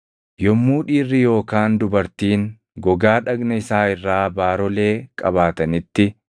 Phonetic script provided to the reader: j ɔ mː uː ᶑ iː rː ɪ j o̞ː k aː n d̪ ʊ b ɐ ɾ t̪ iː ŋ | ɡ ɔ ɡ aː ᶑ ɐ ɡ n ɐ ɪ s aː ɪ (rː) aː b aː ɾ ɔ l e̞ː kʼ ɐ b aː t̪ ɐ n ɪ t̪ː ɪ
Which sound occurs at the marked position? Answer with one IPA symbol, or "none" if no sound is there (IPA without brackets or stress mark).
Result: rː